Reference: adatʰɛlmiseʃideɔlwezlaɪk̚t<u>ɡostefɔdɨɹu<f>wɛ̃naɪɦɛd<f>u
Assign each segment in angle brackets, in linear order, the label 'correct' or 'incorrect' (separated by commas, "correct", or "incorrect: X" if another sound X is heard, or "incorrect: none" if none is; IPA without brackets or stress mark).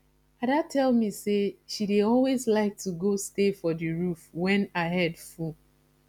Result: correct, correct, correct